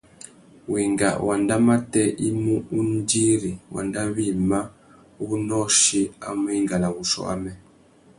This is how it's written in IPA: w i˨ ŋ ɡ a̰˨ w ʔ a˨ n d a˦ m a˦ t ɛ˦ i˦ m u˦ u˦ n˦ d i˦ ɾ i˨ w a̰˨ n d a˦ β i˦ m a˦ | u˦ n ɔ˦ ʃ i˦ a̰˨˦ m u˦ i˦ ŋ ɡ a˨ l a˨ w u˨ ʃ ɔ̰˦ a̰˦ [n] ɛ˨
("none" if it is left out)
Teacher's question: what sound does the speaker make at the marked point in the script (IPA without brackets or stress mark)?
m